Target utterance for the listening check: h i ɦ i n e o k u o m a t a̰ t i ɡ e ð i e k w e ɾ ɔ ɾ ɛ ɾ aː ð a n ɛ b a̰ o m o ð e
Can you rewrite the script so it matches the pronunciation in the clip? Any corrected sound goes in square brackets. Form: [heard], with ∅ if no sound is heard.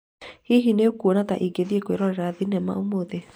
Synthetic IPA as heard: h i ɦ i n e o k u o [n] a t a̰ [ʔ] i ɡ e ð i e k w e ɾ ɔ ɾ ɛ ɾ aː ð [i] n ɛ [m] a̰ o m o ð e

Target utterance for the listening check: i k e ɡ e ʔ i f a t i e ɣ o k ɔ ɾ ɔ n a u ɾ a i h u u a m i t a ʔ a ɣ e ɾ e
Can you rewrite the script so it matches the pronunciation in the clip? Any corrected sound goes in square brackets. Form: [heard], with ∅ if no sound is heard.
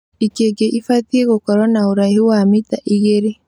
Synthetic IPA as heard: i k e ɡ e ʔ i f a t i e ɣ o k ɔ ɾ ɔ n a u ɾ a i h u [w] a m i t a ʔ [i] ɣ e ɾ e

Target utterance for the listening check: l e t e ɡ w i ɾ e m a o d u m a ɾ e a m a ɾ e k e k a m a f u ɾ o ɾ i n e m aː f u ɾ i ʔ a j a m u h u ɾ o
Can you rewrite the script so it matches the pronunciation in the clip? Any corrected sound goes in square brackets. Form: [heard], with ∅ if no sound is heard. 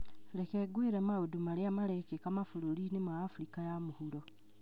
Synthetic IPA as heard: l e [k] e ɡ w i ɾ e m a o d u m a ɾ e a m a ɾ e k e k a m a f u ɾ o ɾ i n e m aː f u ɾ i [k] a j a m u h u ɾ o

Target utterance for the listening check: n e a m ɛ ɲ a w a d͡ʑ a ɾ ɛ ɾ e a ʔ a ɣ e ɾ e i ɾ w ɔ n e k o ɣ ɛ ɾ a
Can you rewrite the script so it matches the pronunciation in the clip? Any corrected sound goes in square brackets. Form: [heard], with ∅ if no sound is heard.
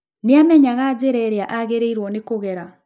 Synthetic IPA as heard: n e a m ɛ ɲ a [ɣ] a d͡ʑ [e] ɾ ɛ ɾ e a ʔ a ɣ e ɾ e i ɾ w ɔ n e k o ɣ ɛ ɾ a

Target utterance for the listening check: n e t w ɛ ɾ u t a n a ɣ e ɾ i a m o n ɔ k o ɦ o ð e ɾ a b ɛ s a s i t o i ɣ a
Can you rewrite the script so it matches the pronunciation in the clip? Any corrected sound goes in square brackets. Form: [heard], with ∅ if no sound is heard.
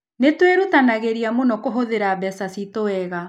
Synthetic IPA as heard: n e t w [e] ɾ u t a n a ɣ e ɾ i a m o n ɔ k o ɦ o ð e ɾ a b ɛ s a s i t o [ɛ] ɣ a

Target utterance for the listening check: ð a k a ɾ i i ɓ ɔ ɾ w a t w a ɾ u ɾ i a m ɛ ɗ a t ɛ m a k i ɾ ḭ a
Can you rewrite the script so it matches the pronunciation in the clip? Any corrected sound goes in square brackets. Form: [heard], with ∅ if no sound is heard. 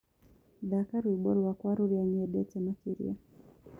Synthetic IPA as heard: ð a k a ɾ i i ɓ ɔ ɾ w a [k] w a ɾ u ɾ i a [ɲ] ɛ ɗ [ɛ] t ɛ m a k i ɾ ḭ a

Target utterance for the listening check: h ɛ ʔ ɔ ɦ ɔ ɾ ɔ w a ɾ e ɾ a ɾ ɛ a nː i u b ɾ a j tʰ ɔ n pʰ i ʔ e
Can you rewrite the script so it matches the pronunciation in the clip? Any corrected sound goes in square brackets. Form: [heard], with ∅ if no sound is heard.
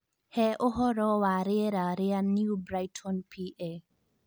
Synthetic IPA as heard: h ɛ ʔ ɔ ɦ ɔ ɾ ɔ w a ɾ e ɾ a ɾ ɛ a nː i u b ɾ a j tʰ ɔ n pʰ i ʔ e

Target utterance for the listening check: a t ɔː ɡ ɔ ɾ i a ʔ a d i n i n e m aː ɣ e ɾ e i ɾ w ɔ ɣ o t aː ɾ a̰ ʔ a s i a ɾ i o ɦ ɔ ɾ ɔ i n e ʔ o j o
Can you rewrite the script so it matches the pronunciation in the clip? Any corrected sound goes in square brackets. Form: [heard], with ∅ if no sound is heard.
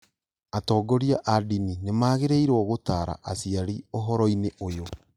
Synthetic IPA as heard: a t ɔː ɡ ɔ ɾ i a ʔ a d i n i n e m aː ɣ e ɾ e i ɾ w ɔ ɣ o t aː ɾ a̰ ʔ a s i a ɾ i o ɦ ɔ ɾ ɔ i n e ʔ o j o

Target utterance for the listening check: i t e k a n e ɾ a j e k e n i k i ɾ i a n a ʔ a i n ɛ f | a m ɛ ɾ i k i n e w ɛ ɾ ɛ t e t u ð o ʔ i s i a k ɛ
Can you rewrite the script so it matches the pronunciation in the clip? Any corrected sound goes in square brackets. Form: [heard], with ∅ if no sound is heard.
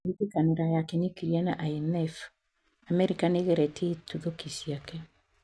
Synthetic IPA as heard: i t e k a n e ɾ a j [a] k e n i k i ɾ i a n a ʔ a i n ɛ f | a m ɛ ɾ i k [a] n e [ɣ] ɛ ɾ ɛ t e t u ð o [k] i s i a k ɛ

